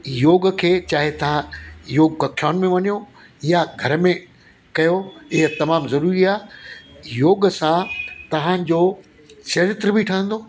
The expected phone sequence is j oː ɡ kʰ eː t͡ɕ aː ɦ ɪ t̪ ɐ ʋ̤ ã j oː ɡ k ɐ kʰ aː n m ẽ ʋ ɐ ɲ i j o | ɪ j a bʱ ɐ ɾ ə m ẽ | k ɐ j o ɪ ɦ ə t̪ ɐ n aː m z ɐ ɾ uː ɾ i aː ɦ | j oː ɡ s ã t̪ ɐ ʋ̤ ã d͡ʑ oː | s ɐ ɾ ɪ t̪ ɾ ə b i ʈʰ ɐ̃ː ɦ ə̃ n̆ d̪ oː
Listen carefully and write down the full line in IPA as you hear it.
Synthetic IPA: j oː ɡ kʰ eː t͡ɕ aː ɦ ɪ t̪ ɐ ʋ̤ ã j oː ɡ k ɐ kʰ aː n m ẽ ʋ ɐ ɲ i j o | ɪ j a ɡʱ ɐ ɾ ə m ẽ | k ɐ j o ɪ ɦ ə t̪ ɐ m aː m z ɐ ɾ uː ɾ i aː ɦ | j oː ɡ s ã t̪ ɐ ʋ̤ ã d͡ʑ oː | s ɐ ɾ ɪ t̪ ɾ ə b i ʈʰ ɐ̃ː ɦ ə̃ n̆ d̪ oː